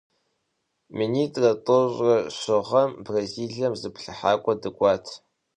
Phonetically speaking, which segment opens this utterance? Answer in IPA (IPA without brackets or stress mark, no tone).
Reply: m